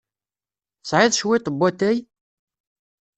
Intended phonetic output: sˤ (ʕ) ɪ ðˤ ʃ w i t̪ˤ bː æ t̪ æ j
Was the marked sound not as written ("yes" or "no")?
no